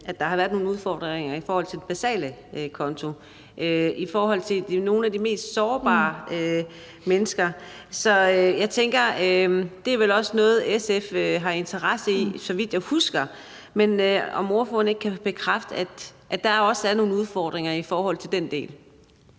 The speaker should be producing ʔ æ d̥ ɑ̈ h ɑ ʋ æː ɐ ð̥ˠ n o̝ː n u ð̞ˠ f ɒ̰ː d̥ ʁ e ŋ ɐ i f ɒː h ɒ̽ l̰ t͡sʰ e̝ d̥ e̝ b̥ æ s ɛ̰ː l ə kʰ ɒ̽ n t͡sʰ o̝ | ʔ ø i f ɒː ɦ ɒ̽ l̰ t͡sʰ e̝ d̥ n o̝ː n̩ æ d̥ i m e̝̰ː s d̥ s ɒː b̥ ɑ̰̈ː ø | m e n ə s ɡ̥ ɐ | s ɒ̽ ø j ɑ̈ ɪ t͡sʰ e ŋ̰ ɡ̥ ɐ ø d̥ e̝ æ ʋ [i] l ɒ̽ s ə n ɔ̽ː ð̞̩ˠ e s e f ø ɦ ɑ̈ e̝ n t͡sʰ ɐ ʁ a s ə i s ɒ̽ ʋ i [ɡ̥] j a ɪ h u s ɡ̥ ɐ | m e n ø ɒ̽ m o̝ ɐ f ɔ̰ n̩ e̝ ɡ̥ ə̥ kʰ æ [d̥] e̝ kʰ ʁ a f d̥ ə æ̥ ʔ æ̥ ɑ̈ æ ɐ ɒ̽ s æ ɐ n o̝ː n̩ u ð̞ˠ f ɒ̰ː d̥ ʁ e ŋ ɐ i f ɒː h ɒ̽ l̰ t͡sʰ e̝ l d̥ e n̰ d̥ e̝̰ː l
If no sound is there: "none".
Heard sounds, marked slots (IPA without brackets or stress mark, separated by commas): e, d̥, b̥